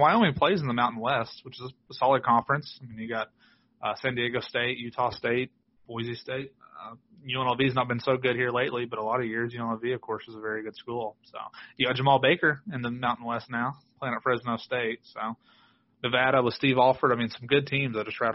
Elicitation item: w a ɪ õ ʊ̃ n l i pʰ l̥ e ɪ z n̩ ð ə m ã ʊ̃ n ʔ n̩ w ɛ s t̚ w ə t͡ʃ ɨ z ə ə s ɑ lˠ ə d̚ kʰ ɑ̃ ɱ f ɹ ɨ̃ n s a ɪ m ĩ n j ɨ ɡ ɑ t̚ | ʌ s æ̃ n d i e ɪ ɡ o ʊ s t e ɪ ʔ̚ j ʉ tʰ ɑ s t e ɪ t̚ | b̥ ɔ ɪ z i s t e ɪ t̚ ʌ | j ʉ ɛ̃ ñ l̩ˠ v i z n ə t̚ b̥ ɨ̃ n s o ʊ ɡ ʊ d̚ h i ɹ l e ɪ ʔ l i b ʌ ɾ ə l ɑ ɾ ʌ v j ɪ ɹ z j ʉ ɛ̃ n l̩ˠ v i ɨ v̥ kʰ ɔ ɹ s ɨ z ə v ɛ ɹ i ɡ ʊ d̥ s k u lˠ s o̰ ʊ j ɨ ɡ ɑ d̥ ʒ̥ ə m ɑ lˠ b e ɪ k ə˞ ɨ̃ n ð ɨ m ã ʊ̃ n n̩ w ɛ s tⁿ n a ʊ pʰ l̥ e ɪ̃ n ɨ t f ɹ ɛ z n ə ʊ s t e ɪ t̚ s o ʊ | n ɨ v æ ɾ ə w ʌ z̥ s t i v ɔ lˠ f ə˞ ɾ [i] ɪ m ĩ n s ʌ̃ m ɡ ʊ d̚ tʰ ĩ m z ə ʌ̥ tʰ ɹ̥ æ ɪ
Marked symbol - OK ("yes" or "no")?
no